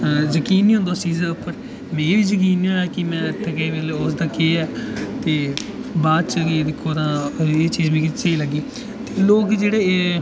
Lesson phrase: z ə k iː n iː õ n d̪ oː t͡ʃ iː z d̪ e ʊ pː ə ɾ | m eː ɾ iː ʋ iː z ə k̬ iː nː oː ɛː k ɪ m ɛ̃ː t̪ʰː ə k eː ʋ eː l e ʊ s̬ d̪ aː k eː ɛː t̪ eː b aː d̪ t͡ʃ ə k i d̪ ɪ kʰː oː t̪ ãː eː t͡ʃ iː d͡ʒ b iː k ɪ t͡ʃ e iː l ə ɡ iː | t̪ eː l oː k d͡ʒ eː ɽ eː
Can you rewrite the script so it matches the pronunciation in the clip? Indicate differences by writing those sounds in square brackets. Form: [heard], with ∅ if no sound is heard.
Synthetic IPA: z ə k iː n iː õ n d̪ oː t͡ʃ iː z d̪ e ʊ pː ə ɾ | m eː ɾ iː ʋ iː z ə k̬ iː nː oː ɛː k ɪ m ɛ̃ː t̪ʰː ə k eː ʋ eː l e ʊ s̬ d̪ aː k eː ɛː t̪ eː b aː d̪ t͡ʃ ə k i d̪ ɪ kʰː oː t̪ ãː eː t͡ʃ iː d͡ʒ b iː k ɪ t͡ʃ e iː l ə ɡ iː | t̪ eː l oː k d͡ʒ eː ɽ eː

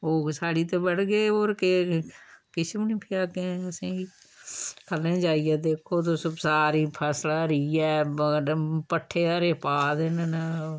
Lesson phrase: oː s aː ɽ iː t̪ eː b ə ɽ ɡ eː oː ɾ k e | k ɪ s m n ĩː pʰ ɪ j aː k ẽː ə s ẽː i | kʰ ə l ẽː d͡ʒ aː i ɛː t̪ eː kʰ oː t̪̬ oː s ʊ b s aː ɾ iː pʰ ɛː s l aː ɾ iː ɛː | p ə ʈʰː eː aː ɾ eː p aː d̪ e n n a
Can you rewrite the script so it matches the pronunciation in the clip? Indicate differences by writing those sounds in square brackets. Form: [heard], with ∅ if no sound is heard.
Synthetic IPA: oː s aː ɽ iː t̪ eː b ə ɽ ɡ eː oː ɾ k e | k ɪ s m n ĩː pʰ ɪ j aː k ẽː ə s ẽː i | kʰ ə l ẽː d͡ʒ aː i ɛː [d̪] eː kʰ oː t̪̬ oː s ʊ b s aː ɾ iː pʰ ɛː s l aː ɾ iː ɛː | p ə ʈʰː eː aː ɾ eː p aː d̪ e n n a

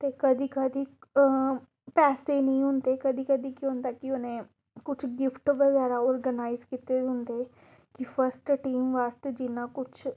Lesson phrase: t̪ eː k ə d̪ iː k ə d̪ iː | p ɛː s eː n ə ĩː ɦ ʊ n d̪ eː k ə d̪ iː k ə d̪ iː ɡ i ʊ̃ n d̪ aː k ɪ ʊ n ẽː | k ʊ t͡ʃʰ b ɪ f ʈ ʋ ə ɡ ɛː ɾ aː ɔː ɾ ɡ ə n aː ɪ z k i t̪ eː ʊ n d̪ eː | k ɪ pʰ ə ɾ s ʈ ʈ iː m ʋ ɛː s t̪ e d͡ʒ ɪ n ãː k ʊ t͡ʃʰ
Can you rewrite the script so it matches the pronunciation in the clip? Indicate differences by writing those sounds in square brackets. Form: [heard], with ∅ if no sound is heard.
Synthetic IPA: t̪ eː k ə d̪ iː k ə d̪ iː | p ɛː s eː n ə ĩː ɦ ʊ n d̪ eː k ə d̪ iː k ə d̪ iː [k] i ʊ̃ n d̪ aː k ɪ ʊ n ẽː | k ʊ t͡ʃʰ [ɡ] ɪ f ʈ ʋ ə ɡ ɛː ɾ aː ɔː ɾ ɡ ə n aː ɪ z k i t̪ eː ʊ n d̪ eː | k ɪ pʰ ə ɾ s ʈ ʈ iː m ʋ [aː] s t̪ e d͡ʒ ɪ n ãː k ʊ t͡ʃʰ

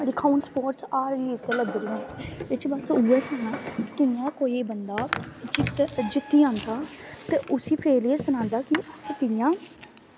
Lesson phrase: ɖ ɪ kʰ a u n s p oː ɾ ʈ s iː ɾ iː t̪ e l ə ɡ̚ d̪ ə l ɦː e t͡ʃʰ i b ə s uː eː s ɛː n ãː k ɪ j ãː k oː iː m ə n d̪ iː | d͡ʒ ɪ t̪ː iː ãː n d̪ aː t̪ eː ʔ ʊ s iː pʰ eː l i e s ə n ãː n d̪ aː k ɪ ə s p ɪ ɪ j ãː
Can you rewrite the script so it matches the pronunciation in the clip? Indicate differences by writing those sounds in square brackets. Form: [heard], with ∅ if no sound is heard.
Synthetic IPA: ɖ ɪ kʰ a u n s p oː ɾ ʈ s [aː] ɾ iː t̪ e l ə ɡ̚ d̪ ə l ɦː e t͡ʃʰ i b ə s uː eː s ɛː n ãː k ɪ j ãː k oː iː [b] ə n d̪ [aː] | d͡ʒ ɪ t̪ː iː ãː n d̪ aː t̪ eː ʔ ʊ s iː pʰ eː l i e s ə n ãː n d̪ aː k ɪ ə s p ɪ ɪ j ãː

